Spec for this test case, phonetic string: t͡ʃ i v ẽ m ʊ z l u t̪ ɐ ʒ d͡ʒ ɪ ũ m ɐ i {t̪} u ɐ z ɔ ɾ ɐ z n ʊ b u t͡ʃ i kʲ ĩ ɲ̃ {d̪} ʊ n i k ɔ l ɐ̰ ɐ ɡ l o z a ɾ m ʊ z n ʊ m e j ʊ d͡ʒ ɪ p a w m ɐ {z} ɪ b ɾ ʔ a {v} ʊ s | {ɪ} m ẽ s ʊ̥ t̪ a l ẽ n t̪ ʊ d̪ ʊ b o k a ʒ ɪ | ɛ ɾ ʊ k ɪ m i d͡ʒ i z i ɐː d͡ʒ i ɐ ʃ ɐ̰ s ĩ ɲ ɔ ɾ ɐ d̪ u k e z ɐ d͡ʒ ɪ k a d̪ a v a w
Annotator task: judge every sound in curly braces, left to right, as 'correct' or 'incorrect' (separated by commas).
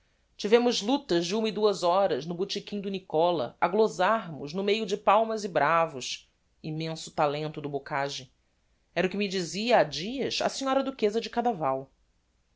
incorrect, correct, correct, correct, incorrect